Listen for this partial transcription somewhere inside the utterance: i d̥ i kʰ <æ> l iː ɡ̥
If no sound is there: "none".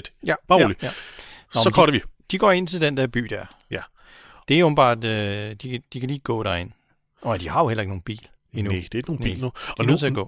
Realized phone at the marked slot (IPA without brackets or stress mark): æ